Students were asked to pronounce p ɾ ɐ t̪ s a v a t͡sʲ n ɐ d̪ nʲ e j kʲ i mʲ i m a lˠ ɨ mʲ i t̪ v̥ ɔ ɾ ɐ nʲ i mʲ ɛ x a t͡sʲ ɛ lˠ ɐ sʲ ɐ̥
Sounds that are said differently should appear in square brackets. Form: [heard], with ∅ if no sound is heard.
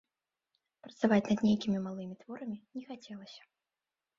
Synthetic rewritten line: p ɾ ɐ t̪ s a v a t͡sʲ n ɐ d̪ nʲ e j kʲ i mʲ i m a lˠ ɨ mʲ i t̪ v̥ ɔ ɾ ɐ [mʲ] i [nʲ] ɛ x a t͡sʲ ɛ lˠ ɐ sʲ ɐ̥